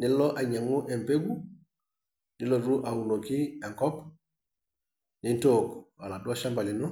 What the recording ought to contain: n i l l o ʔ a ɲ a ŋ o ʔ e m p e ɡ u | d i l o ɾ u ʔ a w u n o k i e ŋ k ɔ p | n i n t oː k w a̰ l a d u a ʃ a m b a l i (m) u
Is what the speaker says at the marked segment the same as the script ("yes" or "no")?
no